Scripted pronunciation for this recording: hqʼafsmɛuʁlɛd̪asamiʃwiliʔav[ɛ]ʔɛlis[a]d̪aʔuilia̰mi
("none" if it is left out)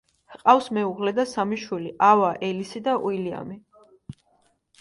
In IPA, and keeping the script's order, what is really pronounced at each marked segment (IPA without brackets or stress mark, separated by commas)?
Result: a, i